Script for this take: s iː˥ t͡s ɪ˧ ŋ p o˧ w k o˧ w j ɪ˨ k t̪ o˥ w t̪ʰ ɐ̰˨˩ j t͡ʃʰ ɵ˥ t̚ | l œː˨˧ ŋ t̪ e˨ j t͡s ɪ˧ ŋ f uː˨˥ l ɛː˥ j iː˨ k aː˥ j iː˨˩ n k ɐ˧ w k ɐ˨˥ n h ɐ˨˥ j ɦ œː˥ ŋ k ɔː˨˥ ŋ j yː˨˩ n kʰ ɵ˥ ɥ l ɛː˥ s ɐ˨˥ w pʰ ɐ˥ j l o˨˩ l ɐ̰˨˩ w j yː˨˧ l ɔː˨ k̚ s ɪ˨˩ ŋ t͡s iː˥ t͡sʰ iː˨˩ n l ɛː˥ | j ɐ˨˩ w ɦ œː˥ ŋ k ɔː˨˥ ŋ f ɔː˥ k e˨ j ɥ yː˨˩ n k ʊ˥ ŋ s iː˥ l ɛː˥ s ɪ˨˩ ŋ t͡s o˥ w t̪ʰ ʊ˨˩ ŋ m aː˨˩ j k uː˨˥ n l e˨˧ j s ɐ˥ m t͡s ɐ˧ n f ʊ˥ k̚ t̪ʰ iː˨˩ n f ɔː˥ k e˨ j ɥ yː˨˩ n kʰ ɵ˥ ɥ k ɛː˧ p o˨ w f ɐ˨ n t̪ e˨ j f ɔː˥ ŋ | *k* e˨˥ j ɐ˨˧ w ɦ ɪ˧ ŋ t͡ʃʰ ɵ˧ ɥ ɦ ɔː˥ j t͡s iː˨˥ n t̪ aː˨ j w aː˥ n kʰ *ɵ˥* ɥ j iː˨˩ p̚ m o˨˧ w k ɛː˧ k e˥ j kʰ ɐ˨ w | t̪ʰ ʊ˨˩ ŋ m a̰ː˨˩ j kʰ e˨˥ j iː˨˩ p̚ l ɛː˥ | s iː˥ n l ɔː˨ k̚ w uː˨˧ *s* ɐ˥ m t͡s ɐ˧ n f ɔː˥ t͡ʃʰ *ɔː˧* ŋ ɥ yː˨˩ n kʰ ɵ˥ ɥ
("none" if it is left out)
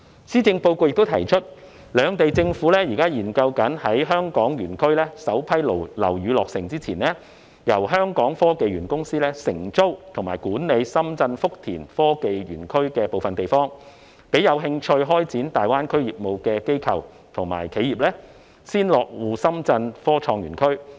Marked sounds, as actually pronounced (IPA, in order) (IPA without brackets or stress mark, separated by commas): p, ɵ˥, s, ɔː˧